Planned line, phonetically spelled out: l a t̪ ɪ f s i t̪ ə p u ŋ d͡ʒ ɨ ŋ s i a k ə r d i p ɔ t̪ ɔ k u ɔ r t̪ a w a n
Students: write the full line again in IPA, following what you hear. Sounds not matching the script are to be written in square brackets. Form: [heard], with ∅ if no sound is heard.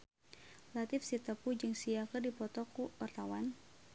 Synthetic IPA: l a t̪ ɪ f s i t̪ ə p u [∅] d͡ʒ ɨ ŋ s i a k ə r d i p ɔ t̪ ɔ k u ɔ r t̪ a w a n